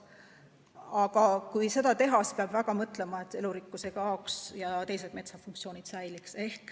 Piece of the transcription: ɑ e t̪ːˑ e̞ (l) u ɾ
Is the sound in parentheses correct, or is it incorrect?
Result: correct